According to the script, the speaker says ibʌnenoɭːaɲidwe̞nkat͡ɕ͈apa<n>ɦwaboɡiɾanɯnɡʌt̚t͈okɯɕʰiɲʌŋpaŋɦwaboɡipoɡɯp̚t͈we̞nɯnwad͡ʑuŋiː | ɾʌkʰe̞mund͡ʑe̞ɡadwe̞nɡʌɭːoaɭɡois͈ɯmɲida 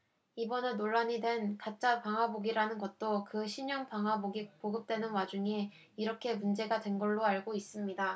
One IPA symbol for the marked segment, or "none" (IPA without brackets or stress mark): ŋ